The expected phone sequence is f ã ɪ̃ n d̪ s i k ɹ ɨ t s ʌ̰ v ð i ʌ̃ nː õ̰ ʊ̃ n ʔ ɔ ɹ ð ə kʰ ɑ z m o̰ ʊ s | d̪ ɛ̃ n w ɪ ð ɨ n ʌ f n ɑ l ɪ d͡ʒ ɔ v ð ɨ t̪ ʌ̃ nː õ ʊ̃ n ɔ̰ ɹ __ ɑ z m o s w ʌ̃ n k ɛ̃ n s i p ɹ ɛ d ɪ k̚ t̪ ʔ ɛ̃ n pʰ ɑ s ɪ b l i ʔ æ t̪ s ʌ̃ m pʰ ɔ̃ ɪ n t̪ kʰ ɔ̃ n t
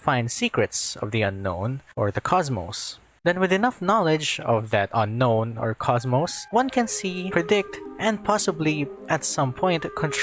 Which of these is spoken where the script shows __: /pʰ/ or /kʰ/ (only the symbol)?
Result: kʰ